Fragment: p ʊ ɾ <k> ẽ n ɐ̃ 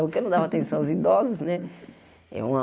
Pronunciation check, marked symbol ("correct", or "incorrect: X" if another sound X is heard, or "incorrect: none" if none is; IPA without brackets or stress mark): correct